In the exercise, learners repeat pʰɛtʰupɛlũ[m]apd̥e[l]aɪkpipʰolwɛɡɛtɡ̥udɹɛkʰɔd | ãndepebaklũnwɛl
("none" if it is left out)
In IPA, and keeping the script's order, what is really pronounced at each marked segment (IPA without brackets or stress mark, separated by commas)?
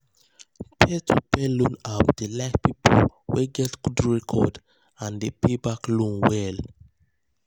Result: n, l